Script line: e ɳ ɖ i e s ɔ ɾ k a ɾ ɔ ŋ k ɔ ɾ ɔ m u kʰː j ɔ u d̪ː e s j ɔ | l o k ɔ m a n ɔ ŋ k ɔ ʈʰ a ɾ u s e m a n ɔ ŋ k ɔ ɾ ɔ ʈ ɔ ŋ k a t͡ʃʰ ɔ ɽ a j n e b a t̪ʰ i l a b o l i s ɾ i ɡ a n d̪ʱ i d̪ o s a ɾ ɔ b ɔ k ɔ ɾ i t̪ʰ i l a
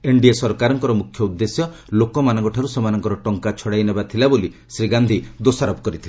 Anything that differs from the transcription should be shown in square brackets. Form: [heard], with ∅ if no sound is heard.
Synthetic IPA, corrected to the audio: e ɳ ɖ i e s ɔ ɾ k a ɾ ɔ ŋ k ɔ ɾ ɔ m u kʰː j ɔ u d̪ː e s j ɔ | l o k ɔ m a n ɔ ŋ k ɔ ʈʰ a ɾ u s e m a n ɔ ŋ k ɔ ɾ ɔ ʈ ɔ ŋ k a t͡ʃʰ ɔ ɽ a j n e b a t̪ʰ i l a b o l i s ɾ i ɡ a n d̪ʱ i d̪ o s a ɾ ɔ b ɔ k ɔ ɾ i t̪ʰ i l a